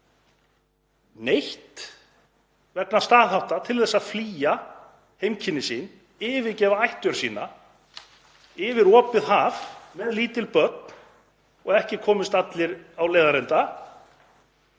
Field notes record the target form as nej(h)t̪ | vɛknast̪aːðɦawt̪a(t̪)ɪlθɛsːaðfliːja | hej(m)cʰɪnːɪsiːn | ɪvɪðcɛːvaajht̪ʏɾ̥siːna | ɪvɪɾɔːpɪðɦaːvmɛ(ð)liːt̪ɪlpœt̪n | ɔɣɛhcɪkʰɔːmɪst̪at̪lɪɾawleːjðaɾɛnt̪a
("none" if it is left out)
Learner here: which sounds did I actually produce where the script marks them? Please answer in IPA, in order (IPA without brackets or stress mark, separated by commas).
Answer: h, t̪ʰ, m, ð